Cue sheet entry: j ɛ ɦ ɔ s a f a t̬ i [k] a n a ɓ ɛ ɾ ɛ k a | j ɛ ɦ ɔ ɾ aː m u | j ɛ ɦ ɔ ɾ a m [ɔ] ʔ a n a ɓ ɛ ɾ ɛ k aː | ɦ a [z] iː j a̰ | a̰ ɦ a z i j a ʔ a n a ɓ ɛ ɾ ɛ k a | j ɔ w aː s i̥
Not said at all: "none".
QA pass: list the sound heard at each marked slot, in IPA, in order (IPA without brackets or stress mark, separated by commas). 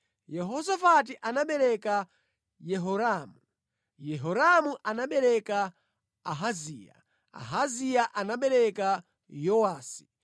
ʔ, u, z